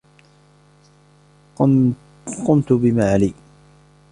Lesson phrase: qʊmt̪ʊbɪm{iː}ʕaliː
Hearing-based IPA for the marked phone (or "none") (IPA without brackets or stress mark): aː